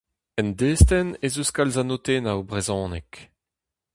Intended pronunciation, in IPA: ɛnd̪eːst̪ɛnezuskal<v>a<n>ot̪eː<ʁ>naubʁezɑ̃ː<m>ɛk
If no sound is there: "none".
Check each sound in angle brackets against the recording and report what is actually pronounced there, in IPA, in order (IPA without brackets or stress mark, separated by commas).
z, n, none, n